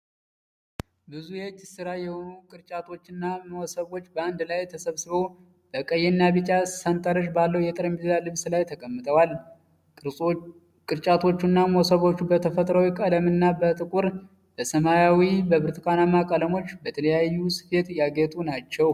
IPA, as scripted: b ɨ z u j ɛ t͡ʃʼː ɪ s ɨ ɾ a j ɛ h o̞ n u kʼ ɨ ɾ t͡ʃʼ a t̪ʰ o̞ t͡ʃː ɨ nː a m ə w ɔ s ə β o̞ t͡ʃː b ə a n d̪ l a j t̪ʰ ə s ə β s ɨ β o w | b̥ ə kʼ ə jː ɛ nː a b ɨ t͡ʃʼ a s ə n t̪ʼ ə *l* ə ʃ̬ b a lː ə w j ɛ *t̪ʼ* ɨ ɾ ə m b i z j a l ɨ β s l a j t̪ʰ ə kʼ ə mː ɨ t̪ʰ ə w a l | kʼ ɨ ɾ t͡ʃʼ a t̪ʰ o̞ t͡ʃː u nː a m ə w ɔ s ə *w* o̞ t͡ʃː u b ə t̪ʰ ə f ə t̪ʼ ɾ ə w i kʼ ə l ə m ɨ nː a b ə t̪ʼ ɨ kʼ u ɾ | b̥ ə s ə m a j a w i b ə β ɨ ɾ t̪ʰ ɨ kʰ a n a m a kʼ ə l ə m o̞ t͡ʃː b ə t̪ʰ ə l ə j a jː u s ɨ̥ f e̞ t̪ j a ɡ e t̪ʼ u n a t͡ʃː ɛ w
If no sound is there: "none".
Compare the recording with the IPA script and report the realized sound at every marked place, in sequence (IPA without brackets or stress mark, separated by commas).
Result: ɾ, t̪ʼ, β